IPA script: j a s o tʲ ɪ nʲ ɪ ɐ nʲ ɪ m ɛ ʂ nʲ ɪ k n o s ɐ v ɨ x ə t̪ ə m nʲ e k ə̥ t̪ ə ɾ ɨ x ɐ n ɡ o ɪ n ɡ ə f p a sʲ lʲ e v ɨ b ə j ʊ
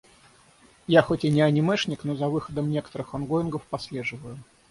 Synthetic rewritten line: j a x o tʲ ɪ nʲ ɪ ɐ nʲ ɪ m ɛ ʂ nʲ ɪ k n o z ɐ v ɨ x ə d̪ ə m nʲ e k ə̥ t̪ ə ɾ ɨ x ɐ n ɡ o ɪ n ɡ ə f p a sʲ lʲ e ʐ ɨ v ə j ʊ